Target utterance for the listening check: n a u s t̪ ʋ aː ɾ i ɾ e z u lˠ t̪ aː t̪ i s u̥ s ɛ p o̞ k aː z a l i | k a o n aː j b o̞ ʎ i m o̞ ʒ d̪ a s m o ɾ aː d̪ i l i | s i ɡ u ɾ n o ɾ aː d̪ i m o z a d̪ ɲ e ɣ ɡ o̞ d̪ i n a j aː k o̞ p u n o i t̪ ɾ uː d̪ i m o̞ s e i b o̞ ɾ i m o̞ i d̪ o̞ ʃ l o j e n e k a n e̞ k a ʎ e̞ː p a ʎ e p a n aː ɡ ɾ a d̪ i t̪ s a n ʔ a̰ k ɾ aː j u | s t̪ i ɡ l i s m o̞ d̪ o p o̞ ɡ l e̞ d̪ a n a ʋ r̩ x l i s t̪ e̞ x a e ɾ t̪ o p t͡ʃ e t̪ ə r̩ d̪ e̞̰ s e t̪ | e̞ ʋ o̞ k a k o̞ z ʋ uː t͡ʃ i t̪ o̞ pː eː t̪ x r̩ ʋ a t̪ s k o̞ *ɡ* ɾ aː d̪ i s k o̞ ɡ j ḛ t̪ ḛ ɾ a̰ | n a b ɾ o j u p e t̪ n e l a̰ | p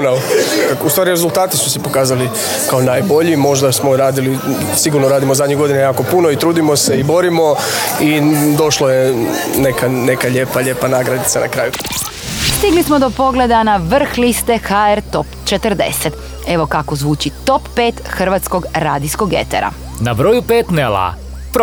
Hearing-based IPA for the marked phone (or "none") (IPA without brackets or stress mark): ɡ